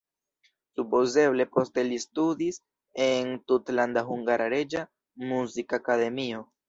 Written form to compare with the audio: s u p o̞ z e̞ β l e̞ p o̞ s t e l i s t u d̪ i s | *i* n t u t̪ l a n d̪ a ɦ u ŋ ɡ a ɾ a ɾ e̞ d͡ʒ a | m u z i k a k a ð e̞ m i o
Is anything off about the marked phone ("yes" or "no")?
yes